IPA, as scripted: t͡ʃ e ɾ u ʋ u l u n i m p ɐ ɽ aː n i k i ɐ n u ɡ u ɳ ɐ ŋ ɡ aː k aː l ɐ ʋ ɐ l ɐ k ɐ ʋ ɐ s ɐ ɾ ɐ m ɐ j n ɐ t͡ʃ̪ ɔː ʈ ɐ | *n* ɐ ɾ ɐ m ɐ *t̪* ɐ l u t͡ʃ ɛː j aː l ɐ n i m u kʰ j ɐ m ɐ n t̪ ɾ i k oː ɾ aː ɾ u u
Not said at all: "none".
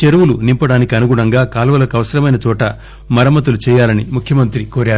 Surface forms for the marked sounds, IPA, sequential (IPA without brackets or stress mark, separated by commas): m, t̪